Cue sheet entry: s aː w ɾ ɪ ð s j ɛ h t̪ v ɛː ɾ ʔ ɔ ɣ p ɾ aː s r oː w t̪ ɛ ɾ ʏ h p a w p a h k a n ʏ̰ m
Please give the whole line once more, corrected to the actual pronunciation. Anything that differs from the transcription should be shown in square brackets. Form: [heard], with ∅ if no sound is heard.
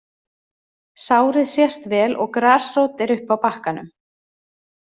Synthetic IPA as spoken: s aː w ɾ ɪ ð s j ɛ [s] t̪ v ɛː [l] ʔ ɔ ɣ [k] ɾ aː s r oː w t̪ ɛ ɾ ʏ h p a w p a h k a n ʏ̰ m